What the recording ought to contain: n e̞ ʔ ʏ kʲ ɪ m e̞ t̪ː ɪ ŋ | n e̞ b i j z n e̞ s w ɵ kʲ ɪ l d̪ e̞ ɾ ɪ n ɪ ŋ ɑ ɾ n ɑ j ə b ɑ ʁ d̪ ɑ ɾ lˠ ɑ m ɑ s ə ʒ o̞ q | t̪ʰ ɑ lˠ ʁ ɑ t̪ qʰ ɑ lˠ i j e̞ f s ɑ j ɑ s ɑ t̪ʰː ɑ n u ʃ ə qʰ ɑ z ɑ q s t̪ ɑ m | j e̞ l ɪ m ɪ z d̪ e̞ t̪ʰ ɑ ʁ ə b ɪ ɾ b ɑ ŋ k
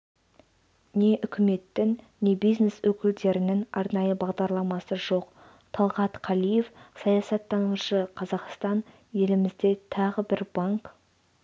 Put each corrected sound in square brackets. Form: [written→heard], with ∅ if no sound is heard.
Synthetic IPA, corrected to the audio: n e̞ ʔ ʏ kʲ ɪ m e̞ t̪ː ɪ ŋ | n e̞ b i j z n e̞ s w ɵ kʲ ɪ l d̪ e̞ ɾ ɪ n ɪ ŋ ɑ ɾ n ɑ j ə b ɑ ʁ d̪ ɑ ɾ lˠ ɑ m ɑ s ə ʒ o̞ q | t̪ʰ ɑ lˠ ʁ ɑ t̪ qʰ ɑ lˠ i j e̞ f s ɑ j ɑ s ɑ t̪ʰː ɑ n u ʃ ə qʰ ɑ z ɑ q s t̪ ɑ [m→n] | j e̞ l ɪ m ɪ z d̪ e̞ t̪ʰ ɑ ʁ ə b ɪ ɾ b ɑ ŋ k